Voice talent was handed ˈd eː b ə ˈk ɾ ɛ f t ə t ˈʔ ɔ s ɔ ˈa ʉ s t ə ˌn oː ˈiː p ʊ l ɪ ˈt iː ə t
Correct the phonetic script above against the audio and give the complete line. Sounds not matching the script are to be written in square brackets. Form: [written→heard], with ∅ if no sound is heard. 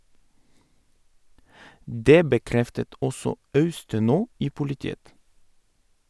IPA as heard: ˈd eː b ə ˈk ɾ ɛ f t ə t ˈʔ ɔ s ɔ [ˈa→ˈɑ] ʉ s t ə ˌn oː ˈiː p ʊ l ɪ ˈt iː ə t